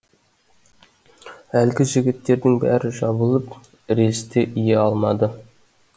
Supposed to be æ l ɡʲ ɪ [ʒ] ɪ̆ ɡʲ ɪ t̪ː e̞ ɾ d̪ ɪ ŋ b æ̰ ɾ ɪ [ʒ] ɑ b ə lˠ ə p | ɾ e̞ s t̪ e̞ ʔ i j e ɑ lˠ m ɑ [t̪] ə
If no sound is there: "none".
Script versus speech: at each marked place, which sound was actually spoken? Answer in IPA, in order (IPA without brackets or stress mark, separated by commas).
ʒ, ʒ, d̪